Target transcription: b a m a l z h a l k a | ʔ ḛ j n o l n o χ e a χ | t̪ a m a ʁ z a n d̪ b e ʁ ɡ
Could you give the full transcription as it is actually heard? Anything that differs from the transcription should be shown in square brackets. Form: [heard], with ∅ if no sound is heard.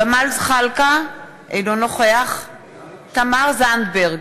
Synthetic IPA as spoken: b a m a l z [χ] a l k a | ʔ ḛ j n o [∅] n o χ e a χ | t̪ a m a ʁ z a n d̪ b e ʁ ɡ